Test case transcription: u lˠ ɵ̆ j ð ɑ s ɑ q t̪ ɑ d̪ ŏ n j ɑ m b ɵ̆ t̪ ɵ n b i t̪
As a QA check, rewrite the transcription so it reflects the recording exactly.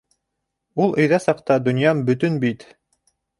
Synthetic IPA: u lˠ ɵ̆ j ð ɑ s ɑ q t̪ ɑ d̪ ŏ n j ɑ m b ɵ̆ t̪ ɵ n b i t̪